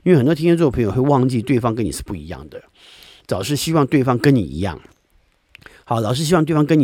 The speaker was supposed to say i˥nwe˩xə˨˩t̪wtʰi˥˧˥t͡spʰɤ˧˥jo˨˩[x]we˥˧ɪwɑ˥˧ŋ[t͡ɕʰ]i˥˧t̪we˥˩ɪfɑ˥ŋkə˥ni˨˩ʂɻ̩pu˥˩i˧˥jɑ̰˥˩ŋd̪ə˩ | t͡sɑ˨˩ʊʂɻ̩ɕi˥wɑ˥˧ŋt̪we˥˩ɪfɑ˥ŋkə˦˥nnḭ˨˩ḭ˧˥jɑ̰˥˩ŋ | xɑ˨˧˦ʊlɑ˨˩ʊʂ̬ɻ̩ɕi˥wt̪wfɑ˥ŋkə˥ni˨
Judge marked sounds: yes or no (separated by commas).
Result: yes, no